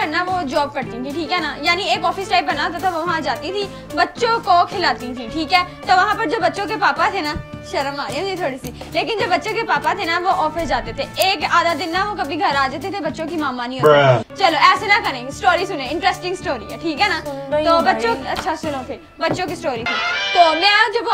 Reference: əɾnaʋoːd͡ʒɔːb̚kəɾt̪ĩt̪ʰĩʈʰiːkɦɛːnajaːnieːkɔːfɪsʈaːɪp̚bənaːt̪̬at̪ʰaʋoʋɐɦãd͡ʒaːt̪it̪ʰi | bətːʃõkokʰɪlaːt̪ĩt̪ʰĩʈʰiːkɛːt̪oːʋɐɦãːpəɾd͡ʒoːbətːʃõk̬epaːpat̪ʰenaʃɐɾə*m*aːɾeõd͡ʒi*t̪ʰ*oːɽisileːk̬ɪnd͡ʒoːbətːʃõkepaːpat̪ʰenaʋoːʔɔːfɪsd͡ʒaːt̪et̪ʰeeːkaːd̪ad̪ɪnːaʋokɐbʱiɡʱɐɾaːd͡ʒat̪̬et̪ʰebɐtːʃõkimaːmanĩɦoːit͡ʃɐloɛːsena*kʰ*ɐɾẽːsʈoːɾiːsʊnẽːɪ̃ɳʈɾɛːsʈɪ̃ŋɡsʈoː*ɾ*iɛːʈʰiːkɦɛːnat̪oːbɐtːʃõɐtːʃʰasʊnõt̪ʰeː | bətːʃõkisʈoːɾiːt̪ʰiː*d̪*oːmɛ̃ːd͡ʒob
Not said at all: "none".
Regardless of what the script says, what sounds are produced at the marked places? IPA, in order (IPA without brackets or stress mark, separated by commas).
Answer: m, t̪ʰ, k, ɾ, t̪